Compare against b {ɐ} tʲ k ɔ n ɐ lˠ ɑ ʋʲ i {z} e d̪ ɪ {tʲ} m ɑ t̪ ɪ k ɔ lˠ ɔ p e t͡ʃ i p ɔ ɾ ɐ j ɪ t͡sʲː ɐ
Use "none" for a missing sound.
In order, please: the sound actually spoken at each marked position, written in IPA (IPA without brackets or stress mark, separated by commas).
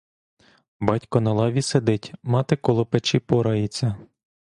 ɑ, s, tʲ